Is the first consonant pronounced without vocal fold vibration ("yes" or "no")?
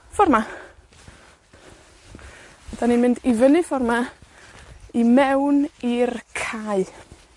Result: yes